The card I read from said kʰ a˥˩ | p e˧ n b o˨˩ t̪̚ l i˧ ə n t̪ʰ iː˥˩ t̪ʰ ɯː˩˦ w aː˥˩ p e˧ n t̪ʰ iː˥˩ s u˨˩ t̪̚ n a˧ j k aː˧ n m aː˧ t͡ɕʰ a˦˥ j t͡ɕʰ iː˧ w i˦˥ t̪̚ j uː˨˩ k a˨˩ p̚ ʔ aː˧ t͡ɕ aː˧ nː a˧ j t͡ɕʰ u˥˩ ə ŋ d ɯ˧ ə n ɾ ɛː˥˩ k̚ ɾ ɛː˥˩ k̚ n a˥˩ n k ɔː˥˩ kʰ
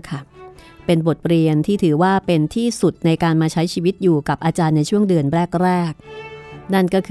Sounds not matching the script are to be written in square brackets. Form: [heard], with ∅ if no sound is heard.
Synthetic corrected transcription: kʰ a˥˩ | p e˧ n b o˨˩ t̪̚ [ɾ] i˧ ə n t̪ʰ iː˥˩ t̪ʰ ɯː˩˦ w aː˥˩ p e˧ n t̪ʰ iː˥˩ s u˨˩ t̪̚ n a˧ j k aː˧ n m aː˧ t͡ɕʰ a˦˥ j t͡ɕʰ iː˧ w i˦˥ t̪̚ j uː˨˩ k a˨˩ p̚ ʔ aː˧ t͡ɕ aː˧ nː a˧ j t͡ɕʰ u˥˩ ə ŋ d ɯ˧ ə n ɾ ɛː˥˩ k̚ ɾ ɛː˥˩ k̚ n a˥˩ n k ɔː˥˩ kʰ